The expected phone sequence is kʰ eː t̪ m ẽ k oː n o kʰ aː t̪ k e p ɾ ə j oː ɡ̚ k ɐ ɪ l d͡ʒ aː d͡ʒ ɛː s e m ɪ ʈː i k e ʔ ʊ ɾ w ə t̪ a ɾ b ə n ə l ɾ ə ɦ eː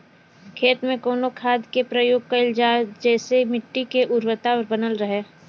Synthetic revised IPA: kʰ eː t̪ m ẽ k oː n o kʰ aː d̪ k e p ɾ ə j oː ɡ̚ k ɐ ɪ l d͡ʒ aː d͡ʒ ɛː s e m ɪ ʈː i k e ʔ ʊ ɾ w ə t̪ a ɾ b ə n ə l ɾ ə ɦ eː